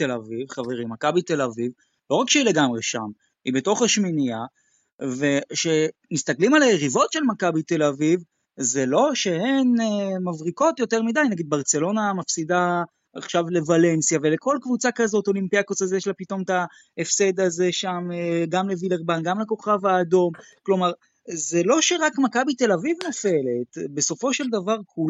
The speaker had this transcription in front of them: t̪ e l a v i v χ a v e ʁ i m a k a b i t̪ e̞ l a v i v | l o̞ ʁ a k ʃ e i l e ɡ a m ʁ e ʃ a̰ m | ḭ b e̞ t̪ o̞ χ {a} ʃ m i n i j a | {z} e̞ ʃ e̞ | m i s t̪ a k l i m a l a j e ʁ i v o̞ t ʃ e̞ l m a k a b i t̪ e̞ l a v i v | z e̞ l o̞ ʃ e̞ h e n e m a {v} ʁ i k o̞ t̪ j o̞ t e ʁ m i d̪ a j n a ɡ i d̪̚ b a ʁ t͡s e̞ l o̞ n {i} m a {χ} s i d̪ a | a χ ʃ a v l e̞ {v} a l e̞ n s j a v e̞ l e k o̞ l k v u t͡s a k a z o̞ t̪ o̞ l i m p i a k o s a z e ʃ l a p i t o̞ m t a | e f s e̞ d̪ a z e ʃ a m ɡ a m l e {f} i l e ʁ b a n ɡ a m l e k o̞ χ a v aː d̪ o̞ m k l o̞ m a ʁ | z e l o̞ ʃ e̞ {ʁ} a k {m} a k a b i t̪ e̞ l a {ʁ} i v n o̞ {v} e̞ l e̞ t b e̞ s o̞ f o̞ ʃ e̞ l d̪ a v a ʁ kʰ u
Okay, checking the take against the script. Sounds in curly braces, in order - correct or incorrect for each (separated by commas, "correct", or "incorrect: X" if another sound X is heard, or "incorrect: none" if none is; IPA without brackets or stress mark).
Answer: correct, incorrect: v, correct, incorrect: a, incorrect: f, correct, incorrect: v, correct, correct, incorrect: v, incorrect: f